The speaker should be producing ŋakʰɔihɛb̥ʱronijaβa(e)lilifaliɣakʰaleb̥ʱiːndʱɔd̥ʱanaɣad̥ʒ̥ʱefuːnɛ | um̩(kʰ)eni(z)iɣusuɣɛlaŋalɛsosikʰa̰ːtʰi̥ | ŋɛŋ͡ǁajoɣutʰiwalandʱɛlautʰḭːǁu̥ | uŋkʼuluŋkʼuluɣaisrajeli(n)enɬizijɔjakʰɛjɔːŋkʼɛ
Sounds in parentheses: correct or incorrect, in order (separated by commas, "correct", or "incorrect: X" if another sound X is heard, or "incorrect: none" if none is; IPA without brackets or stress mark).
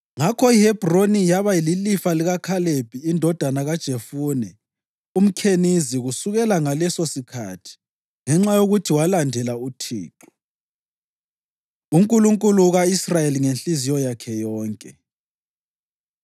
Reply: incorrect: i, correct, correct, incorrect: ŋ